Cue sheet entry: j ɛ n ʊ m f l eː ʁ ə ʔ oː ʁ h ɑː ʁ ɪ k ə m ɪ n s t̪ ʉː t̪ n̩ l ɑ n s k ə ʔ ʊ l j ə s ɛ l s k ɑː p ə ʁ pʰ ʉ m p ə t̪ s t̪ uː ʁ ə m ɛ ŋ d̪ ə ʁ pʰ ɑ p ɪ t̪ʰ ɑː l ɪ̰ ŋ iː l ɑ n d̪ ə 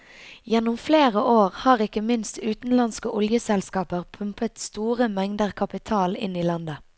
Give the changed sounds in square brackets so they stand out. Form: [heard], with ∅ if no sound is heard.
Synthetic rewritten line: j ɛ n ʊ m f l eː ʁ ə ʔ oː ʁ h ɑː ʁ ɪ k ə m ɪ n s t̪ ʉː t̪ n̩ l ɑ n s k ə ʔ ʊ l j ə s ɛ l s k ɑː p ə ʁ pʰ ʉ m p ə t̪ s t̪ uː ʁ ə m ɛ ŋ d̪ ə ʁ [kʰ] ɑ p ɪ t̪ʰ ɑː l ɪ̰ [n] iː l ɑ n d̪ ə